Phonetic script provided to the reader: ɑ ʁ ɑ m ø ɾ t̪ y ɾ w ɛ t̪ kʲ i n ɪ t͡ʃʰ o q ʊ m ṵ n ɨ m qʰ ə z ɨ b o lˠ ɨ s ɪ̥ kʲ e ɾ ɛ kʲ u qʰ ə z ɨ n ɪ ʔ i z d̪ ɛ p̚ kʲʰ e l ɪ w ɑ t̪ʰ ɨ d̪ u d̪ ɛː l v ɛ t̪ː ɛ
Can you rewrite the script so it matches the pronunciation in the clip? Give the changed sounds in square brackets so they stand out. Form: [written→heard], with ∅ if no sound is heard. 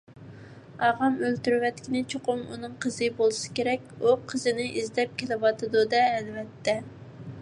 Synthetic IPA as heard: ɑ ʁ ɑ m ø [ɾ→l] t̪ y ɾ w ɛ t̪ kʲ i n ɪ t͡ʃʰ o q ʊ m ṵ n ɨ [m→ŋ] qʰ ə z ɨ b o lˠ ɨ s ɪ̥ kʲ e ɾ ɛ kʲ u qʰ ə z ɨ n ɪ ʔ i z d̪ ɛ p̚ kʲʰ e l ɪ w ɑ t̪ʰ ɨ d̪ u d̪ ɛː l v ɛ t̪ː ɛ

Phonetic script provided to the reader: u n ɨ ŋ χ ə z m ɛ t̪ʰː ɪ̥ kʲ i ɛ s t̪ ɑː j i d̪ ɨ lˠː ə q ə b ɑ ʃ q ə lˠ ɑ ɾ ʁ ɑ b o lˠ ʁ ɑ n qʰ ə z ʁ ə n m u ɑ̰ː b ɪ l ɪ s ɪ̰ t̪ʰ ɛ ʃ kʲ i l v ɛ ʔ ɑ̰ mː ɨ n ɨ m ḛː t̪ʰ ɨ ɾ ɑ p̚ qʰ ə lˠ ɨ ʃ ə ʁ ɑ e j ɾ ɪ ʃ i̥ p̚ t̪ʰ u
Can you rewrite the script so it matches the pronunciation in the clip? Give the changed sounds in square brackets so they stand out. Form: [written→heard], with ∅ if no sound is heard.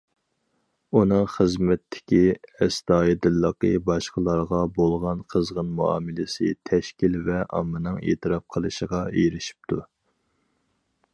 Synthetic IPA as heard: u n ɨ ŋ χ ə z m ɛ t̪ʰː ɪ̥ kʲ i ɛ s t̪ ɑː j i d̪ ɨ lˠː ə q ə b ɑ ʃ q ə lˠ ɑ ɾ ʁ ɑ b o lˠ ʁ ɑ n qʰ ə z ʁ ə n m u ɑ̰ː [b→m] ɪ l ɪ s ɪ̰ t̪ʰ ɛ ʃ kʲ i l v ɛ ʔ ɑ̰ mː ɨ n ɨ [m→ŋ] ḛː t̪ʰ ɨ ɾ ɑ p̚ qʰ ə lˠ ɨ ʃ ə ʁ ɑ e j ɾ ɪ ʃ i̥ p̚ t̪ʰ u

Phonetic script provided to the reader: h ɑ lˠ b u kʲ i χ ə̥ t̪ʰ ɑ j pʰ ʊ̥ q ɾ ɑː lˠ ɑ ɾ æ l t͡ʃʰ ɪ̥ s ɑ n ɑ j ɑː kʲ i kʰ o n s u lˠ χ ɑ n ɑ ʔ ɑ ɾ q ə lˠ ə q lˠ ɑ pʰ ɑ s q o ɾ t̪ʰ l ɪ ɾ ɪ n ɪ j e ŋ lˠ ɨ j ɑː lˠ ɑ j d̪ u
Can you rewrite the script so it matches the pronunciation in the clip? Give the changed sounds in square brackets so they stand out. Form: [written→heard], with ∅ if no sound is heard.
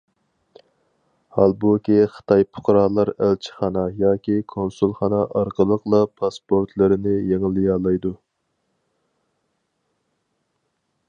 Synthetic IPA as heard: h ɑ lˠ b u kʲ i χ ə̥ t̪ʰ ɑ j pʰ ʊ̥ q ɾ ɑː lˠ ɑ ɾ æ l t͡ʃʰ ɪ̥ [s→χ] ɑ n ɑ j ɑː kʲ i kʰ o n s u lˠ χ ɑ n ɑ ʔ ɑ ɾ q ə lˠ ə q lˠ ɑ pʰ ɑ s [q→p] o ɾ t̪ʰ l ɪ ɾ ɪ n ɪ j e ŋ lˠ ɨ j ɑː lˠ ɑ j d̪ u

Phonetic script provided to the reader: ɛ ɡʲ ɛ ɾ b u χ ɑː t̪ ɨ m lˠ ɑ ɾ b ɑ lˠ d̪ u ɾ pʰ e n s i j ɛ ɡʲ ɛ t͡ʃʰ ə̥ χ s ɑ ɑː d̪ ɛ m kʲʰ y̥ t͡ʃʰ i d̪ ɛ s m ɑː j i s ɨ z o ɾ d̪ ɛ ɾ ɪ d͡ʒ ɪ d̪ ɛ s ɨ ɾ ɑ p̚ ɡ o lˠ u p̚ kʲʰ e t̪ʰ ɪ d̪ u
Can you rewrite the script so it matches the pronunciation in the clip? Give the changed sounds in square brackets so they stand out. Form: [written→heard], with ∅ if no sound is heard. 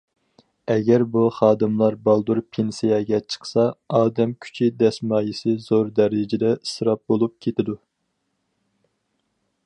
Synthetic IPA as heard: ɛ ɡʲ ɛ ɾ b u χ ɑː [t̪→d̪] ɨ m lˠ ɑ ɾ b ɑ lˠ d̪ u ɾ pʰ e n s i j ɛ ɡʲ ɛ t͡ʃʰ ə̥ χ s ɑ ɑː d̪ ɛ m kʲʰ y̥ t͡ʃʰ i d̪ ɛ s m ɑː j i s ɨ z o ɾ d̪ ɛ ɾ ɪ d͡ʒ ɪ d̪ ɛ s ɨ ɾ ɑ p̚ [ɡ→b] o lˠ u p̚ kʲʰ e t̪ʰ ɪ d̪ u

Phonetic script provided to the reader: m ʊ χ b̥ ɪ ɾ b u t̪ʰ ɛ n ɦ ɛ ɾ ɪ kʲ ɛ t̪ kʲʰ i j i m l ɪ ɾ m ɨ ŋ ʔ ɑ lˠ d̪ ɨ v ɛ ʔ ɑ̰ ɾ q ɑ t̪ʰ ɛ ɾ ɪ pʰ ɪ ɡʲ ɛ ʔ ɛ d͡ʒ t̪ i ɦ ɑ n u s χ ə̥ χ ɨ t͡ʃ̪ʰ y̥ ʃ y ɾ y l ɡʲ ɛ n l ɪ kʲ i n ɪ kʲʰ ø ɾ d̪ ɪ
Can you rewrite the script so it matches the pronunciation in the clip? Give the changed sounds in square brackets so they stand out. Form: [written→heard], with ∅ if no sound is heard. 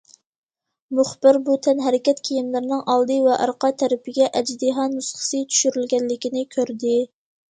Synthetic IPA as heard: m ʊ χ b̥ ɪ ɾ b u t̪ʰ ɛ n ɦ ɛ ɾ ɪ kʲ ɛ t̪ kʲʰ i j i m l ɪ ɾ [m→n] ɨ ŋ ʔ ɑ lˠ d̪ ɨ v ɛ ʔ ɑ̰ ɾ q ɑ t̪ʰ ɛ ɾ ɪ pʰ ɪ ɡʲ ɛ ʔ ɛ d͡ʒ [t̪→d̪] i ɦ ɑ n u s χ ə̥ [χ→s] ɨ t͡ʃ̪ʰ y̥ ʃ y ɾ y l ɡʲ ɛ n l ɪ kʲ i n ɪ kʲʰ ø ɾ d̪ ɪ

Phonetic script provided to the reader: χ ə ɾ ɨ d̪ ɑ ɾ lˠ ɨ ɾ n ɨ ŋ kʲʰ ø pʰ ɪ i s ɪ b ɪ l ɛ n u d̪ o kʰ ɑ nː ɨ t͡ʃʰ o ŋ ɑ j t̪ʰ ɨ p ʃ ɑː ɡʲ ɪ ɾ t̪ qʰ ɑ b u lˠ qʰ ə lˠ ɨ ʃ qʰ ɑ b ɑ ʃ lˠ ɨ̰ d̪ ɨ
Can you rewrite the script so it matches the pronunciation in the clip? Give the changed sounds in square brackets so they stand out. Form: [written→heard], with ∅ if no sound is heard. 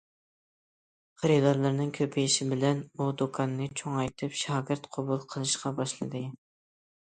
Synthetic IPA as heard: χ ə ɾ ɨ d̪ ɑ ɾ lˠ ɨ ɾ n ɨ ŋ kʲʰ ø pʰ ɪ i [s→ʃ] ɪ b ɪ l ɛ n u d̪ o kʰ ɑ nː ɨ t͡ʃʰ o ŋ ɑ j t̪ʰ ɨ p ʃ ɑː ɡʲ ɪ ɾ t̪ qʰ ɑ b u lˠ qʰ ə lˠ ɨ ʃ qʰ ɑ b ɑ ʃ lˠ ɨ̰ d̪ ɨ

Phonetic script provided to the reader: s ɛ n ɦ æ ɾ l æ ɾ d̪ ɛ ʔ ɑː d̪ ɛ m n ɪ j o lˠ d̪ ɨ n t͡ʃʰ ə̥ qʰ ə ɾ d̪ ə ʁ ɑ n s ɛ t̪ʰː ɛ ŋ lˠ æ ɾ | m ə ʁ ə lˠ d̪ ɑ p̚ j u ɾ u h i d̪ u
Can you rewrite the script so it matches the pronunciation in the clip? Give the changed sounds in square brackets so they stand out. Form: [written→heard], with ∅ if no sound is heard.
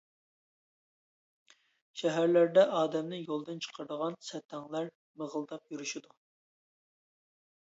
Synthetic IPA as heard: [s→ʃ] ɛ [n→∅] ɦ æ ɾ l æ ɾ d̪ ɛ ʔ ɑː d̪ ɛ m n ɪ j o lˠ d̪ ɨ n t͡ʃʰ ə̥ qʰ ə ɾ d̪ ə ʁ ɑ n s ɛ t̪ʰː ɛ ŋ lˠ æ ɾ | m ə ʁ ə lˠ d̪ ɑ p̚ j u ɾ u [h→ʃ] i d̪ u

